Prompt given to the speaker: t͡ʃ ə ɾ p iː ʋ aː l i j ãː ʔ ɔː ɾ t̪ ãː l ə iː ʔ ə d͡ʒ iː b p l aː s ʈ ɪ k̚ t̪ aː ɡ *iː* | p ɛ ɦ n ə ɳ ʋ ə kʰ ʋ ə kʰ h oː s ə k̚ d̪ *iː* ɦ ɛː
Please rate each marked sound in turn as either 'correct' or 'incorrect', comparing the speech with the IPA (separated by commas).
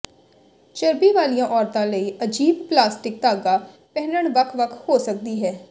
incorrect, correct